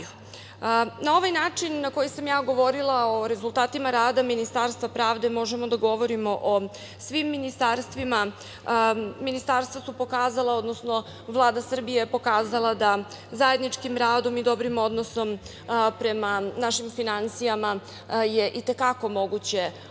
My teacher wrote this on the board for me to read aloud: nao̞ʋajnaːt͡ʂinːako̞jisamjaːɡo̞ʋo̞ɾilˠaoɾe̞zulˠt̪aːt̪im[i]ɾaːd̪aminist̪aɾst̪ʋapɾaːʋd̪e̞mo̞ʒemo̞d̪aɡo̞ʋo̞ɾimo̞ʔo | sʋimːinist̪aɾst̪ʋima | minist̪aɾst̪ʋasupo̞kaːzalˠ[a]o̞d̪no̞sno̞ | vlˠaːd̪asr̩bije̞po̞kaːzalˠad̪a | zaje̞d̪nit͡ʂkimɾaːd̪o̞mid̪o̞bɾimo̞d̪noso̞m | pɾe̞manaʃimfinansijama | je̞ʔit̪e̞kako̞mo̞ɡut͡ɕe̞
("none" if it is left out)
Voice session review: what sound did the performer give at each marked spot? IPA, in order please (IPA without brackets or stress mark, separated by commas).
a, a